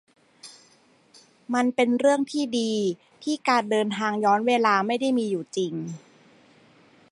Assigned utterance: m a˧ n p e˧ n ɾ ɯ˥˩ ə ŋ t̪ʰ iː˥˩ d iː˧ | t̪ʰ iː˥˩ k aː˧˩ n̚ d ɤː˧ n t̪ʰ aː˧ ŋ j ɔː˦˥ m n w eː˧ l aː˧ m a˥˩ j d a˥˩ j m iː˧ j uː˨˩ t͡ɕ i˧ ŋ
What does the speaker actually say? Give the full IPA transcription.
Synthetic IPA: m a˧ n p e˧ n ɾ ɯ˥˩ ə ŋ t̪ʰ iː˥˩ d iː˧ | t̪ʰ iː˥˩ k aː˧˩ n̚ d ɤː˧ n t̪ʰ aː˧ ŋ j ɔː˦˥ n w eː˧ l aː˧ m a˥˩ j d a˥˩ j m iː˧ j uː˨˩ t͡ɕ i˧ ŋ